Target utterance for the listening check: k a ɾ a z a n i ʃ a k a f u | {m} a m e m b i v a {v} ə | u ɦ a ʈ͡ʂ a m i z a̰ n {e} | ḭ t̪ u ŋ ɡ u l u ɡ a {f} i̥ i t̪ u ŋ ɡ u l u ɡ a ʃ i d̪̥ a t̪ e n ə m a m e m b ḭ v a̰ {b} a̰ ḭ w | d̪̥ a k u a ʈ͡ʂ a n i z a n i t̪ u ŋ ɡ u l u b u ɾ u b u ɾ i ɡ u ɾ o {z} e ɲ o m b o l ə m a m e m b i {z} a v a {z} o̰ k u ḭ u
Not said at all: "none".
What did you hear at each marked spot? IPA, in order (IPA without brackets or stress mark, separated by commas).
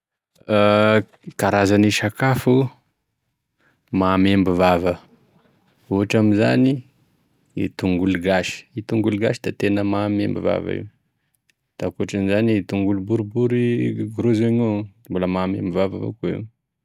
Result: m, v, i, ʃ, v, z, v, v